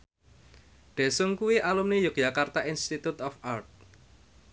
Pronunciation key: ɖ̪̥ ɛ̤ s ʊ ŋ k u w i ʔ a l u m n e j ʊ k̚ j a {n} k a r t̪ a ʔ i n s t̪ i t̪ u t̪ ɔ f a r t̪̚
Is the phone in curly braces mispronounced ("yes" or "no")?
yes